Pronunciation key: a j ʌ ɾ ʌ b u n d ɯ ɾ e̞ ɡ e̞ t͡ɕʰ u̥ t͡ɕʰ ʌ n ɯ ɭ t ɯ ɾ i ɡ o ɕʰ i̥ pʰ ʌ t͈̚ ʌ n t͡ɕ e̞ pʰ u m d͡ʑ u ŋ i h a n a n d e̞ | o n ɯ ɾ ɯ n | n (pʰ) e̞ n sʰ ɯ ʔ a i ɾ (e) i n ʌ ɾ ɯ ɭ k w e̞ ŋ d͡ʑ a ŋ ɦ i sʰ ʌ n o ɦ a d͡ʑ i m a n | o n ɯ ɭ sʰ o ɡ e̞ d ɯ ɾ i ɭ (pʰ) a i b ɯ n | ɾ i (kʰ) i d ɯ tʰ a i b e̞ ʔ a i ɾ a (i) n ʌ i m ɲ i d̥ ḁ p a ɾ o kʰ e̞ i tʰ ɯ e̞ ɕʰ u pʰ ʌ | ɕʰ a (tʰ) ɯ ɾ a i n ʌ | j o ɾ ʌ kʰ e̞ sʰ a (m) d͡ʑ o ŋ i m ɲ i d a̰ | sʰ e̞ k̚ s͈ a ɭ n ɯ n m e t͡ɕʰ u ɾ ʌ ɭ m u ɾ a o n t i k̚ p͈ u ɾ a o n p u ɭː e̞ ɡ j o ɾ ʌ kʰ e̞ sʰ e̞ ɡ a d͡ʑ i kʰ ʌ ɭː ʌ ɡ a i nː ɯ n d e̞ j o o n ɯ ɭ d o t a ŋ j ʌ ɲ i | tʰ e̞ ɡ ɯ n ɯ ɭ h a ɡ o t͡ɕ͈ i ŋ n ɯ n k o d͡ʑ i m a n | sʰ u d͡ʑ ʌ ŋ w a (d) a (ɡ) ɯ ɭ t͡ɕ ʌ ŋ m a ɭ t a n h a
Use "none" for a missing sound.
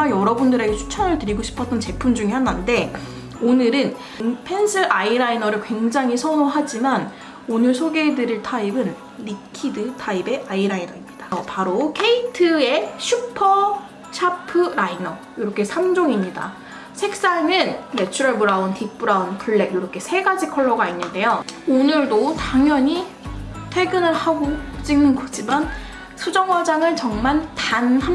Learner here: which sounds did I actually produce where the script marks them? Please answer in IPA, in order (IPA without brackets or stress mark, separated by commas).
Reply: pʰ, a, tʰ, kʰ, i, pʰ, m, d͡ʑ, ŋ